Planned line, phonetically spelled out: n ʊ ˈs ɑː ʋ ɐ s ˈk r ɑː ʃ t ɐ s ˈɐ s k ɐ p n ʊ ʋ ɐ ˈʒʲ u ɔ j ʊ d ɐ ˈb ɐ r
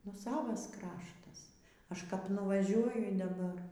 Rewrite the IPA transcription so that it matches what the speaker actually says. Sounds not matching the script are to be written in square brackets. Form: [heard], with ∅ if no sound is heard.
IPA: n ʊ ˈs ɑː ʋ ɐ s ˈk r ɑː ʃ t ɐ s ˈɐ [ʃ] k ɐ p n ʊ ʋ ɐ ˈʒʲ u ɔ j ʊ d ɐ ˈb ɐ r